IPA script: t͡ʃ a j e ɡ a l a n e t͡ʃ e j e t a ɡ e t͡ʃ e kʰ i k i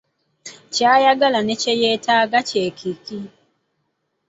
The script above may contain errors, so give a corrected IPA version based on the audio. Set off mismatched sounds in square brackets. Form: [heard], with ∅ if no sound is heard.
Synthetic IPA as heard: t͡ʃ a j [a] ɡ a l a n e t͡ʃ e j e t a ɡ [a] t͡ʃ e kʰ i k i